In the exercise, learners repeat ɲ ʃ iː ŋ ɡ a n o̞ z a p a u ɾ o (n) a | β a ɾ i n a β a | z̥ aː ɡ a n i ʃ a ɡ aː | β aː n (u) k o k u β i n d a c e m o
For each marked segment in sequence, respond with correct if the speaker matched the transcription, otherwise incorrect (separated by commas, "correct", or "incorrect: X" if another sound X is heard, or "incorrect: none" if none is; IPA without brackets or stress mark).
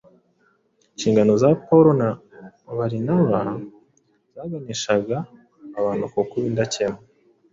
correct, correct